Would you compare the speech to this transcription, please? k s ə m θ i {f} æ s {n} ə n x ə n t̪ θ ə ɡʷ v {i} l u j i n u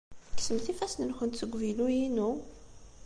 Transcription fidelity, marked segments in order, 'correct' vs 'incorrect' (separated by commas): correct, correct, correct